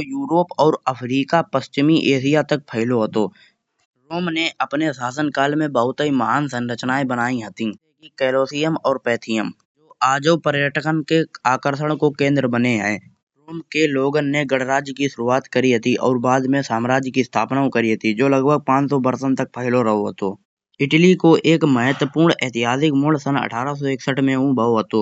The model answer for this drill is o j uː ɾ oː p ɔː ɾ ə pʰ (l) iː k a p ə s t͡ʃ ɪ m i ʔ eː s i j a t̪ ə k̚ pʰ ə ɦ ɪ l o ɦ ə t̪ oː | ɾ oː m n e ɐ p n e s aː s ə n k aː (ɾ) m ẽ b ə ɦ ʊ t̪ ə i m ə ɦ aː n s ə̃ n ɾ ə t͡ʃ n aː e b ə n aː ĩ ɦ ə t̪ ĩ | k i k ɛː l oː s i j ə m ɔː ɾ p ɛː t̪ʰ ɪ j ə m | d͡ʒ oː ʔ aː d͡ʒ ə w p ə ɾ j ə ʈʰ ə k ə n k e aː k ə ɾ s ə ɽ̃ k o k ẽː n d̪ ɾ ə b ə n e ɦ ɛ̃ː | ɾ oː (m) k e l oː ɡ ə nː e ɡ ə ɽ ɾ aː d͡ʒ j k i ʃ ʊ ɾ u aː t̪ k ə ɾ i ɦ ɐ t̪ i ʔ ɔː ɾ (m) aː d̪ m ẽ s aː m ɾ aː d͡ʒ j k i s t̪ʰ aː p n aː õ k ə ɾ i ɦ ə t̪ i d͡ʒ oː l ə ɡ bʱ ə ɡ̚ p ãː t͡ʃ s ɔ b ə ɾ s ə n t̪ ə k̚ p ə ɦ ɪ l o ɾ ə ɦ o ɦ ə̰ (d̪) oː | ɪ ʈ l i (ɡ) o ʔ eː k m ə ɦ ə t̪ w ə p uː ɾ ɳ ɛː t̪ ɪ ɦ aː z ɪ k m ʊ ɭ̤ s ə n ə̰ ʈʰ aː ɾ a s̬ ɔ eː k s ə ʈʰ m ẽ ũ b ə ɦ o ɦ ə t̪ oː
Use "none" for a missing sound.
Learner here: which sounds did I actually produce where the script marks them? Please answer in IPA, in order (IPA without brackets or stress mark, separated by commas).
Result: ɾ, l, m, b, t̪, k